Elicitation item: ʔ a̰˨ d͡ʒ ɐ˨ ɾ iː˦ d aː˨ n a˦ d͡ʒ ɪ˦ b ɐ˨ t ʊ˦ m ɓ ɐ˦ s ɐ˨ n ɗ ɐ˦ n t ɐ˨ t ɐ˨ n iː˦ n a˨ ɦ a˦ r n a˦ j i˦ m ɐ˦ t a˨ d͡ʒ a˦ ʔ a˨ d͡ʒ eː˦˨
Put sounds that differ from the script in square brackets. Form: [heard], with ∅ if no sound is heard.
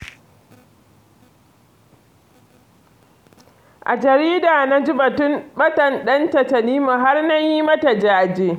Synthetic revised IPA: ʔ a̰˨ d͡ʒ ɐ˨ ɾ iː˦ d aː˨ n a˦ d͡ʒ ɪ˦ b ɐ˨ t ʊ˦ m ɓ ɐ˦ [t] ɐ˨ n ɗ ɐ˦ n t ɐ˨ t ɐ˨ n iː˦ [m] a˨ ɦ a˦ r n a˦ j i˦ m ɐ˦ t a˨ d͡ʒ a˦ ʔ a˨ d͡ʒ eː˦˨